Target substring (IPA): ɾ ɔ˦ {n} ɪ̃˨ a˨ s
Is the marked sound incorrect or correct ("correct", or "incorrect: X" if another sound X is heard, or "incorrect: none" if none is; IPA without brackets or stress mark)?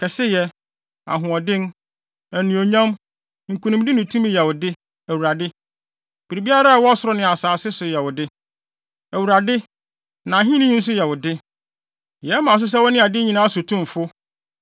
correct